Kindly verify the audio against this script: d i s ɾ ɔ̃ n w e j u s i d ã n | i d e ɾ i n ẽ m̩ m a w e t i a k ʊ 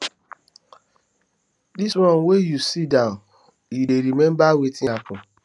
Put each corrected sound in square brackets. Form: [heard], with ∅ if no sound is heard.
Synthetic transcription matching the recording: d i s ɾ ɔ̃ n w e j u s i d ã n | i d e ɾ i [m] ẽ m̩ [b] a w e t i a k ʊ